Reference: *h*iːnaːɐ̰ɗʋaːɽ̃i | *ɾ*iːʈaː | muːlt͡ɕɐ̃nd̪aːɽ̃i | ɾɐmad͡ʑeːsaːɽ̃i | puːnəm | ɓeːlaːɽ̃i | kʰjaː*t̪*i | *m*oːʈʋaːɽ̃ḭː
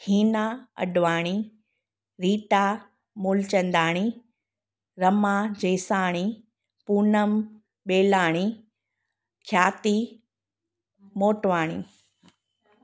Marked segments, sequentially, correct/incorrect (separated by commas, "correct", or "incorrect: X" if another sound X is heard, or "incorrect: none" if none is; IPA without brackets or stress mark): correct, correct, correct, correct